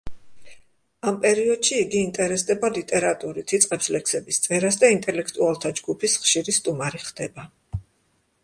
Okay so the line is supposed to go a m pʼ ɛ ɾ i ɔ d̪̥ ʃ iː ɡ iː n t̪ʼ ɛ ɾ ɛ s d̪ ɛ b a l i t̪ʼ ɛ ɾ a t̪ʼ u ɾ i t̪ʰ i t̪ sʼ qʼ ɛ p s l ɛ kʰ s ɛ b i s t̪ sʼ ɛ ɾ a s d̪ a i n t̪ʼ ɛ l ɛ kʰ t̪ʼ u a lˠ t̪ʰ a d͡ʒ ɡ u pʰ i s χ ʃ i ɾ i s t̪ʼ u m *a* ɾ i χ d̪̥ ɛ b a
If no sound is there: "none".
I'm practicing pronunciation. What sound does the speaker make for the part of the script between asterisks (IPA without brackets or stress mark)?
a